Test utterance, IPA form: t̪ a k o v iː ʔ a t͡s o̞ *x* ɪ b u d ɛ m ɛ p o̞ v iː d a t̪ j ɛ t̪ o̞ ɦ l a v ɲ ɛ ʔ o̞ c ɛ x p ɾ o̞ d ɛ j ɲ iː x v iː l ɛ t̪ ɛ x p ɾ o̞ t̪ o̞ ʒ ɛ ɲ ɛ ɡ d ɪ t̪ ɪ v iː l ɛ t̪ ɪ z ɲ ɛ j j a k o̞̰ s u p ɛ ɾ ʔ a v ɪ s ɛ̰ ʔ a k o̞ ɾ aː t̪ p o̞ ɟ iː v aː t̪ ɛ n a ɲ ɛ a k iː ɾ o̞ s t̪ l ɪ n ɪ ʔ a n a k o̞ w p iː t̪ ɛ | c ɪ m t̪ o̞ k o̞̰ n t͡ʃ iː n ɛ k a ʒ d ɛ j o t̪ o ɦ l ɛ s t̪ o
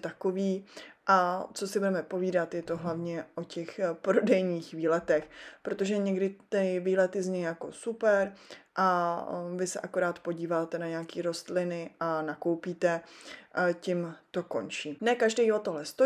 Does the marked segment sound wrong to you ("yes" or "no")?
yes